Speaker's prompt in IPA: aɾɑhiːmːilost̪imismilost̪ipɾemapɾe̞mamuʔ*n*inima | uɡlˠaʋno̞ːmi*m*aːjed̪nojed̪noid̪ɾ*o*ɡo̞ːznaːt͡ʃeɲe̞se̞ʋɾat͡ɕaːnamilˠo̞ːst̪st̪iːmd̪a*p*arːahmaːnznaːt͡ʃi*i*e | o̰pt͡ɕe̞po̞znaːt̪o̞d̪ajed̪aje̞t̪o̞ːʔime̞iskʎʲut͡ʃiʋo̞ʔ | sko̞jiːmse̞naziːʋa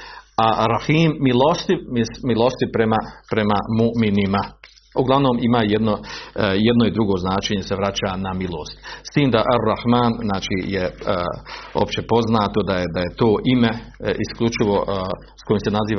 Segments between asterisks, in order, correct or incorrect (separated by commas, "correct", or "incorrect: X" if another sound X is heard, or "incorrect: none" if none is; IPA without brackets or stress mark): incorrect: m, correct, incorrect: u, incorrect: ʔ, incorrect: j